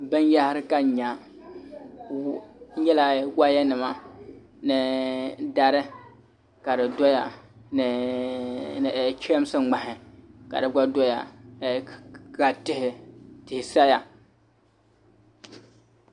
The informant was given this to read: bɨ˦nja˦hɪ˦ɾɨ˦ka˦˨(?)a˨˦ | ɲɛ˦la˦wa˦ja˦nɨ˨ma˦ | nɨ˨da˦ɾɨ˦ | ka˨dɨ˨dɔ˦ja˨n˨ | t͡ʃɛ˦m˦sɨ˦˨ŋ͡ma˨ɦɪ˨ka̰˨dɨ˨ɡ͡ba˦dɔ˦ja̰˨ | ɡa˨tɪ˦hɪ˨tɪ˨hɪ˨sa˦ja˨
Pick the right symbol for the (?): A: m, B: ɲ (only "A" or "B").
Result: B